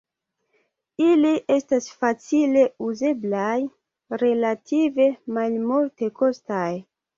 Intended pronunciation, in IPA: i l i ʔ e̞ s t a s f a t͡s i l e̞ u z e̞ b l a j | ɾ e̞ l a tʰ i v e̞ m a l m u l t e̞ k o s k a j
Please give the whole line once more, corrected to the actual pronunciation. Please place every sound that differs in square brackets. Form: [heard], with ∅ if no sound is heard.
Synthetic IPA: i l i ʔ e̞ s t a s f a t͡s i l e̞ u z e̞ b l a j | ɾ e̞ l a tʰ i v e̞ m a l m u l t e̞ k o s [t] a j